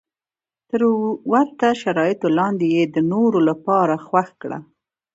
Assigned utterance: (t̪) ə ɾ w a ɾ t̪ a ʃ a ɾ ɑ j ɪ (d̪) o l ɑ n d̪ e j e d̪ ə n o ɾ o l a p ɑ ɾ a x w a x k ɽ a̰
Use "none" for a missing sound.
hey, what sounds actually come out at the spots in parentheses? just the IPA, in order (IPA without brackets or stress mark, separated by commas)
t̪, t̪